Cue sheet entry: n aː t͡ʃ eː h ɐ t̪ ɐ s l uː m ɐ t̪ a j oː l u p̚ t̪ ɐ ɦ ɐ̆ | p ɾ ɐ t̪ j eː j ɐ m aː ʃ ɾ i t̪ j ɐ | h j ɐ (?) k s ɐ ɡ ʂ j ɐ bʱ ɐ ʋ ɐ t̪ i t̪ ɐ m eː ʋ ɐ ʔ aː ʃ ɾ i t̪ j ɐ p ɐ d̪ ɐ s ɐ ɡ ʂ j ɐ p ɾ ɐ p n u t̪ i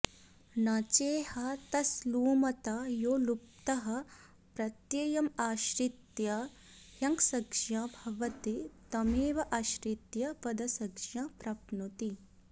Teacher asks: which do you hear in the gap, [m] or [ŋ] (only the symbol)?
ŋ